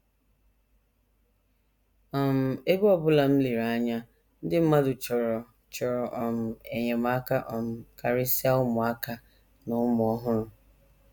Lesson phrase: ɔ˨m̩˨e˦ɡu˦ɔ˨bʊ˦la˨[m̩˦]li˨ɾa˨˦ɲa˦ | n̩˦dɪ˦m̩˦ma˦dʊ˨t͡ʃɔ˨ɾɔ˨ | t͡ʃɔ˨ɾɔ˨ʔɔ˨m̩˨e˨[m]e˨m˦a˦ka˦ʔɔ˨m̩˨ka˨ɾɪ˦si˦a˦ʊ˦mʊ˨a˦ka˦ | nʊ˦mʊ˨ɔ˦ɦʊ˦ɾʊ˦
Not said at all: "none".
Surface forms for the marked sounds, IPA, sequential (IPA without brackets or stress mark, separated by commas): m̩˦, ɲ